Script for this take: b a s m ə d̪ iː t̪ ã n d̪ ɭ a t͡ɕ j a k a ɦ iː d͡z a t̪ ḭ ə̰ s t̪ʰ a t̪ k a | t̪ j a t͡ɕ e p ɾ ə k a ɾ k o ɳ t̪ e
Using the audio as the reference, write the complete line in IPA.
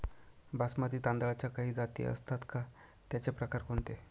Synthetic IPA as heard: b a s m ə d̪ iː t̪ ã n d̪ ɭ a t͡ɕ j a k a ɦ iː d͡z a t̪ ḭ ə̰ s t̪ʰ a t̪ k a | t̪ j a t͡ɕ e p ɾ ə k a ɾ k o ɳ t̪ e